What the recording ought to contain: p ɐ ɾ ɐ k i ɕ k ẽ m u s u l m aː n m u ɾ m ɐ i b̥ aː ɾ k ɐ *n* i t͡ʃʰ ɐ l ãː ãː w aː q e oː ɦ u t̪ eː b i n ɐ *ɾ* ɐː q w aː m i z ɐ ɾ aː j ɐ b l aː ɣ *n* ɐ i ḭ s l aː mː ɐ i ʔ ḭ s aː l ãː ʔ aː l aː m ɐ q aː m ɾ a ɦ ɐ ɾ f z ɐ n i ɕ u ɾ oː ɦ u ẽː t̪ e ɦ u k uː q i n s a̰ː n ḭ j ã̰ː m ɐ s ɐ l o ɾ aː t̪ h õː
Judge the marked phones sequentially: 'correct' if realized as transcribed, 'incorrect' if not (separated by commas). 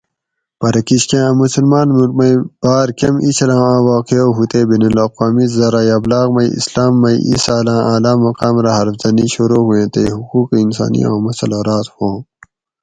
incorrect, incorrect, incorrect